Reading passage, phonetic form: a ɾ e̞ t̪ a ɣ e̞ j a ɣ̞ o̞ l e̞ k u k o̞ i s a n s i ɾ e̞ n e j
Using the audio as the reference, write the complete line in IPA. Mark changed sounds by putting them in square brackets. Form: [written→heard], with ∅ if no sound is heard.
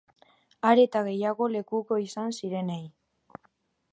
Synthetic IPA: a ɾ e̞ t̪ a ɣ e̞ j a ɣ̞ o̞ l e̞ k u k o̞ i s a n s i ɾ e̞ n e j